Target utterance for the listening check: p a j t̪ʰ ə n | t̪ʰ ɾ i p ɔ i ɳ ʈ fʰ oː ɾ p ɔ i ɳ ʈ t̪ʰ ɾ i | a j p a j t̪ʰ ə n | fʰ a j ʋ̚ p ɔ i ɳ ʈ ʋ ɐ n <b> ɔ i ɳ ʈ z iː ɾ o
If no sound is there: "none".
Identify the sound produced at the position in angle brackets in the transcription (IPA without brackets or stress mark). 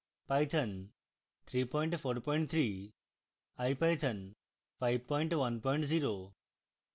p